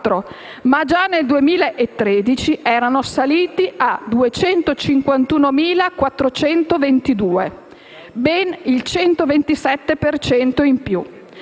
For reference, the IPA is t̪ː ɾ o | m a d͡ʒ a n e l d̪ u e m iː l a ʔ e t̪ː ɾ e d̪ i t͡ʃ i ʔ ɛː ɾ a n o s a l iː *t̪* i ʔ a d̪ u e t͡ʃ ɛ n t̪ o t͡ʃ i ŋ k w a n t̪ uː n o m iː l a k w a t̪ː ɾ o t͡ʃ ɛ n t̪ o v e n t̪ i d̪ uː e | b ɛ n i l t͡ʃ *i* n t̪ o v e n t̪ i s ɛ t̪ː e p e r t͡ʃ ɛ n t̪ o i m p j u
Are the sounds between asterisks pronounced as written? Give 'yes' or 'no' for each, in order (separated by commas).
yes, no